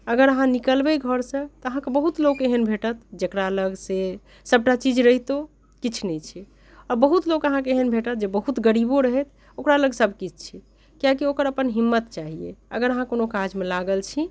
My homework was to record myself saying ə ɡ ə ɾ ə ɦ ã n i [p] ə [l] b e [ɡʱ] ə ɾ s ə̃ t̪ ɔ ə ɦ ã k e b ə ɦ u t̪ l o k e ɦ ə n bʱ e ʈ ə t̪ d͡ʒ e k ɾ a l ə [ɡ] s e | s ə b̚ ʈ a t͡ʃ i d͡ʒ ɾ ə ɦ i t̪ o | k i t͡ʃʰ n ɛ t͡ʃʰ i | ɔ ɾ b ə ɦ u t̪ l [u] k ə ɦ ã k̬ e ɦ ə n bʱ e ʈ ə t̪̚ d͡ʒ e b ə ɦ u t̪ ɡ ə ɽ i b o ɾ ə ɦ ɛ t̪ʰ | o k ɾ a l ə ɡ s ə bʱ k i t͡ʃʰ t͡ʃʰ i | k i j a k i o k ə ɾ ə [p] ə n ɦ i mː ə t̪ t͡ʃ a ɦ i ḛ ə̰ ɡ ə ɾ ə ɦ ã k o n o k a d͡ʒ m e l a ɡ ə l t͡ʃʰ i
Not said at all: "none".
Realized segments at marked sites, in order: k, l, ɡʱ, ɡ, o, p

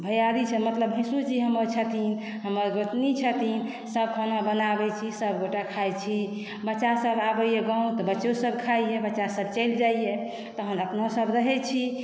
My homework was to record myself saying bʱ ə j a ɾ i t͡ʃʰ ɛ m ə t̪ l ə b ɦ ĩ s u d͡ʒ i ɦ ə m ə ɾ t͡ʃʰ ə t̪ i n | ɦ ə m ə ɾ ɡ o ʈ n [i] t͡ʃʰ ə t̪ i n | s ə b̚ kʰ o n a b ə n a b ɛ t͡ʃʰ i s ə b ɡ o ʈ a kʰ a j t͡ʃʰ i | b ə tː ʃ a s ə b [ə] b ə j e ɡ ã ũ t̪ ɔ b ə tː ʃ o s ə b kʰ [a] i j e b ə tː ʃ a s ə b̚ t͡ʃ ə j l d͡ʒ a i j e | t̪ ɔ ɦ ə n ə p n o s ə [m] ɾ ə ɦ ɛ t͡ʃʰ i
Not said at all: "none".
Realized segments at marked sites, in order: i, a, a, b

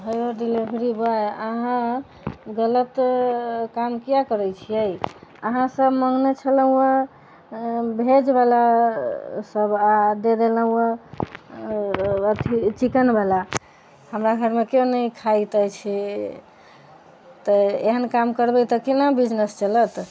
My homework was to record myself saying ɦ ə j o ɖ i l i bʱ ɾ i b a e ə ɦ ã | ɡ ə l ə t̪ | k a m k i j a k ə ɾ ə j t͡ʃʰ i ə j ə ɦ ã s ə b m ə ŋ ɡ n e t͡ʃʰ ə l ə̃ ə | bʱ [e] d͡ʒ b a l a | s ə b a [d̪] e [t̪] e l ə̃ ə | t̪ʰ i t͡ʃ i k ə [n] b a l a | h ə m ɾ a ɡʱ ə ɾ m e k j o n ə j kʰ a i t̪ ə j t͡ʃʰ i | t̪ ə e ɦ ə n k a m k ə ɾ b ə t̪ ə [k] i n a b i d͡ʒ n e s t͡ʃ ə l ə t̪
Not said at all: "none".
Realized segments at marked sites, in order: e, d̪, d̪, n, k

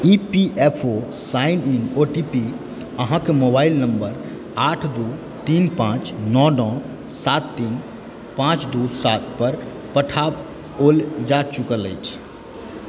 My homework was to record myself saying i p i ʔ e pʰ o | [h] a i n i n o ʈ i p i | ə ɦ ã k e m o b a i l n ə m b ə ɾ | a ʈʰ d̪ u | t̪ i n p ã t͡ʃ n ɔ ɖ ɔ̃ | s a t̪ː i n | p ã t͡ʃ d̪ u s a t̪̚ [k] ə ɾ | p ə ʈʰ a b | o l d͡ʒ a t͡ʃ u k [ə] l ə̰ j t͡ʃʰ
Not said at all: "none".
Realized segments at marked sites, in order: s, p, ə

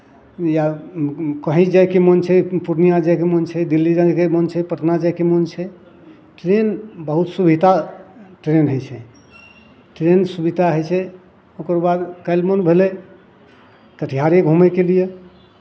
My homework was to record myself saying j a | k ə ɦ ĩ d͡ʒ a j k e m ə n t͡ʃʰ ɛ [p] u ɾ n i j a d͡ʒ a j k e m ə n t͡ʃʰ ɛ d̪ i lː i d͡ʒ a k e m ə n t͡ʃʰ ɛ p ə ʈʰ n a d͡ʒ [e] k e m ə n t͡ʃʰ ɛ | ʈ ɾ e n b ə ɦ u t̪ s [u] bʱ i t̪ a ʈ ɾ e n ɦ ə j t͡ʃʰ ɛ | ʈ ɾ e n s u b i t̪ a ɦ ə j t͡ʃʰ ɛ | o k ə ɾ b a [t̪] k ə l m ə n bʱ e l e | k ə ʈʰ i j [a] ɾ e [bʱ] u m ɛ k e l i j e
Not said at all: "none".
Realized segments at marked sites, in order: p, a, u, d̪, a, ɡʱ

